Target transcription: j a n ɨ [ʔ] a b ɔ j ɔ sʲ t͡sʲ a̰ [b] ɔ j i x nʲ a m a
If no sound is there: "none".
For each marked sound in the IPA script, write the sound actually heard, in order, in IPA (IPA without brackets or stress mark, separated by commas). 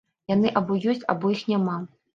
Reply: ʔ, b